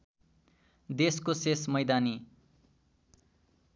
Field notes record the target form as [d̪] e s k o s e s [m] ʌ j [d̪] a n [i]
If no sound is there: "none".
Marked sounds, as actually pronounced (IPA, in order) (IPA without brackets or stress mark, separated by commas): d̪, m, d̪, i